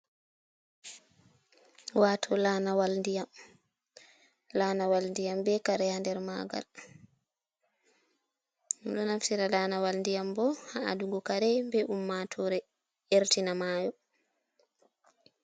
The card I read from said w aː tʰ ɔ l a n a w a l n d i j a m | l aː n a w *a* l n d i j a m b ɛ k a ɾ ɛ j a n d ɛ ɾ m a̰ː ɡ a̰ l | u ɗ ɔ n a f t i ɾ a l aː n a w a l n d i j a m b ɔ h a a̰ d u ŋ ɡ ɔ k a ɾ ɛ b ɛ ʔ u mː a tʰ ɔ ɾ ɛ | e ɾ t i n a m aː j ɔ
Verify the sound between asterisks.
correct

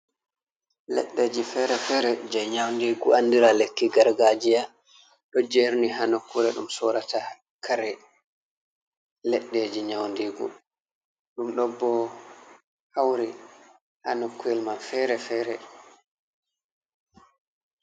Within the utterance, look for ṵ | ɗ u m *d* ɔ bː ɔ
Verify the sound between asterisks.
incorrect: ɗ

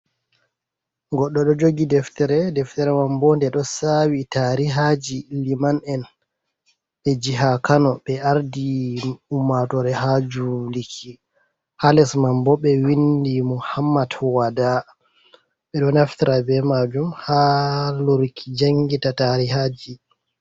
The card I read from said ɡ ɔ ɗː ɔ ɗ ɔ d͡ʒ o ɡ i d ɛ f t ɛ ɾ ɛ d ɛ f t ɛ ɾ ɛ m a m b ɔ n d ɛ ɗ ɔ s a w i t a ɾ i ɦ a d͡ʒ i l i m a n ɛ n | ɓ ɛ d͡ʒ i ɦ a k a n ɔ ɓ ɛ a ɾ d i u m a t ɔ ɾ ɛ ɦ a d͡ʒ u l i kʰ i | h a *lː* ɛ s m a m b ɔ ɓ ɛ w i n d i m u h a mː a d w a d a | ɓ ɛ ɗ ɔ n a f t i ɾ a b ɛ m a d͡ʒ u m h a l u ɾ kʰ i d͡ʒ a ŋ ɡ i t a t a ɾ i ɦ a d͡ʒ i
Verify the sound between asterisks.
incorrect: l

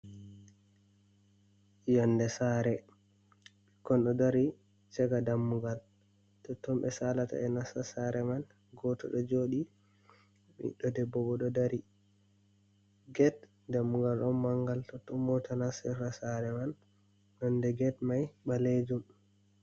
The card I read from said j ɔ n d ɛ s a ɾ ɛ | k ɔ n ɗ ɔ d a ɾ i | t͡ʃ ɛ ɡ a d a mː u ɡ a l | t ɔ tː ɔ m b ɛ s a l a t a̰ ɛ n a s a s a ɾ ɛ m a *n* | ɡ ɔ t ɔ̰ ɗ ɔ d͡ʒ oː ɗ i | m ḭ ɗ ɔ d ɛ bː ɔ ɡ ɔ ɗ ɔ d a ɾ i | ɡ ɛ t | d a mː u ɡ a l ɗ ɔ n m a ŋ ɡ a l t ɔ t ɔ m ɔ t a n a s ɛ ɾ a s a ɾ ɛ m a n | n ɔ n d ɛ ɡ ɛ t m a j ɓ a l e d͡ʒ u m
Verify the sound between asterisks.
correct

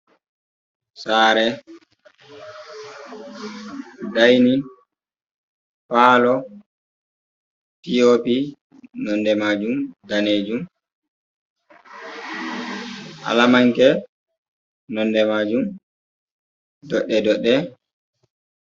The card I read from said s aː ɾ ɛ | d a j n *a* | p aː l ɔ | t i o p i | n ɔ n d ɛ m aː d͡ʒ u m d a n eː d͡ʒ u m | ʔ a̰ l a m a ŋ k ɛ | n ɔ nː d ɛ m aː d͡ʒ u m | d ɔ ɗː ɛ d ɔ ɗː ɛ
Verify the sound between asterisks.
incorrect: i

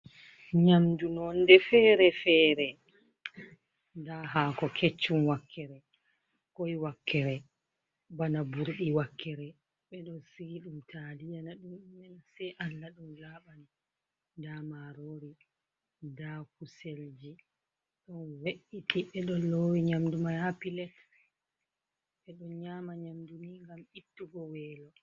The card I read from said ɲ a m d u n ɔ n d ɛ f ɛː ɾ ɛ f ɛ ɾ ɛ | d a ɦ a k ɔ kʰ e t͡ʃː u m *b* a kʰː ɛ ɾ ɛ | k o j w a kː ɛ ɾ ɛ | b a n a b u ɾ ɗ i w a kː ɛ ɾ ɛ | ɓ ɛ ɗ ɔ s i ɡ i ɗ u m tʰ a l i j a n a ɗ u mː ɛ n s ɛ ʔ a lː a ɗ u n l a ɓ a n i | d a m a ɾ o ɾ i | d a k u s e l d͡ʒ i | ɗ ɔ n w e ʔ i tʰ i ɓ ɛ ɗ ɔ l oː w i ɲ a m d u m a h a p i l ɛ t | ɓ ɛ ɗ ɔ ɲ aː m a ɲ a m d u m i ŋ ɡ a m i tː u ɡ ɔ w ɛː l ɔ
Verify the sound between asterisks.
incorrect: w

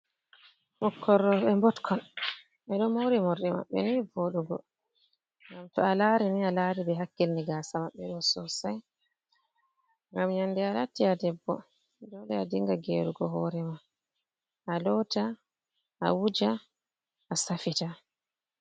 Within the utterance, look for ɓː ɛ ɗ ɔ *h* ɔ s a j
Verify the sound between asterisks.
incorrect: s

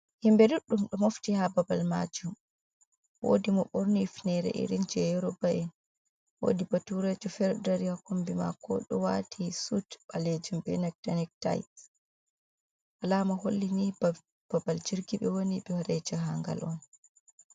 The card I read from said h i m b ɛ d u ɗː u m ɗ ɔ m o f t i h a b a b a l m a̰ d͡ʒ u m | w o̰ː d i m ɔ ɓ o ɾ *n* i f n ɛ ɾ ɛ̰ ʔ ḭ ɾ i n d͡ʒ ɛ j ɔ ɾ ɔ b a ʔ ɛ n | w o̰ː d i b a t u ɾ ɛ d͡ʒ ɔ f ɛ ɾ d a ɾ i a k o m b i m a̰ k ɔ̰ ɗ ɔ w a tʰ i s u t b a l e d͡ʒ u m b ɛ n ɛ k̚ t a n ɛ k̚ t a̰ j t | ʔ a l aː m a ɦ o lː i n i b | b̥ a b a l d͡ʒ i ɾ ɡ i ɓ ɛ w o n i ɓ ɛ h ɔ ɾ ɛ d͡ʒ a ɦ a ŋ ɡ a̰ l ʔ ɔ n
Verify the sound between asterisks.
correct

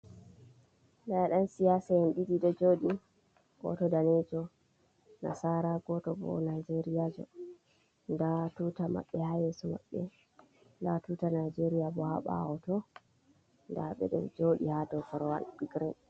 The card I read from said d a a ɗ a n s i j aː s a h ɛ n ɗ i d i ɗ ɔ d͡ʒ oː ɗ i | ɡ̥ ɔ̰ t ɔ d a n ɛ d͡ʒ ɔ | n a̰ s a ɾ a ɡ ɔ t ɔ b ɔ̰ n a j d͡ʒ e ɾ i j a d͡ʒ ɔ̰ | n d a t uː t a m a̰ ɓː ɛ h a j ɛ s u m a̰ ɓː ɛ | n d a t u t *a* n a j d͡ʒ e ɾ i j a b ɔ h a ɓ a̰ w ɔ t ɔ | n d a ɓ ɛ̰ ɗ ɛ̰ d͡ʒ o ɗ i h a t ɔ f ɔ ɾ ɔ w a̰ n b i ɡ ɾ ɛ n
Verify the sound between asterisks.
correct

